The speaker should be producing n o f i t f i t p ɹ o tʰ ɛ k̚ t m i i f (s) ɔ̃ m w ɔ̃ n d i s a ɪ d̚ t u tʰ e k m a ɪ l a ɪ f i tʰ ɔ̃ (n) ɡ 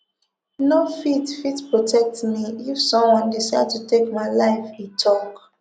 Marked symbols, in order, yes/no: yes, no

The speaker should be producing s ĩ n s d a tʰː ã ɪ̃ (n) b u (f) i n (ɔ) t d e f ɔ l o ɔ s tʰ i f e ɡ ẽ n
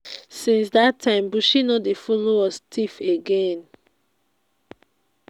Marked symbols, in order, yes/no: no, no, yes

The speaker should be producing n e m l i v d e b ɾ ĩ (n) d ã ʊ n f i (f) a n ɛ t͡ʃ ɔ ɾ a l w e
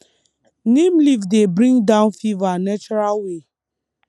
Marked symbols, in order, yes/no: no, no

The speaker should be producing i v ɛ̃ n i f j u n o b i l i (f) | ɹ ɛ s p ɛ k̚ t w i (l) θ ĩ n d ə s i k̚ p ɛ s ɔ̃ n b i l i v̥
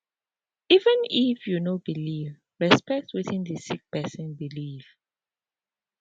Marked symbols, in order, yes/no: no, no

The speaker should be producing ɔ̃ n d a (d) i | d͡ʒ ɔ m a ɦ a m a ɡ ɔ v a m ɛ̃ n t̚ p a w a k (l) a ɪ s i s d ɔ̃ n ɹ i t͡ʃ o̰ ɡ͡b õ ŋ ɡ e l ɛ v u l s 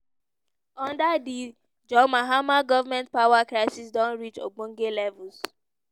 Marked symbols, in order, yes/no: yes, no

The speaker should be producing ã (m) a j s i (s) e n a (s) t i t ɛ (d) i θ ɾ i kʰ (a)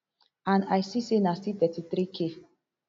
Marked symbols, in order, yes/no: no, yes, yes, no, no

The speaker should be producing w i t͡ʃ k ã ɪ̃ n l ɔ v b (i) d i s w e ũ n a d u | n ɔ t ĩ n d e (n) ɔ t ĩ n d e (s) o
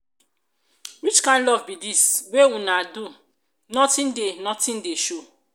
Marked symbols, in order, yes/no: yes, yes, no

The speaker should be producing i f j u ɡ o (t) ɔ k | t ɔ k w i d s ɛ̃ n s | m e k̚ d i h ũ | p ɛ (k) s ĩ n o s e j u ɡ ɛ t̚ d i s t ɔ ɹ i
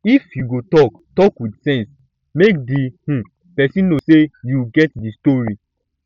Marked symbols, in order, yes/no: yes, no

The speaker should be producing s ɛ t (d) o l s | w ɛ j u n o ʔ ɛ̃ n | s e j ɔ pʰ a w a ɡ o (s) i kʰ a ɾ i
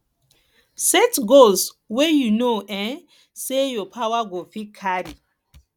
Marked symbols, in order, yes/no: no, no

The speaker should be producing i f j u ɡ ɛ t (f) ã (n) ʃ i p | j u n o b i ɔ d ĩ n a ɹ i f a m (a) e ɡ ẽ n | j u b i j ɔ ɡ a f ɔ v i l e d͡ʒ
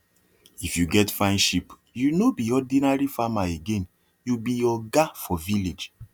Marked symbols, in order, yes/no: yes, yes, yes

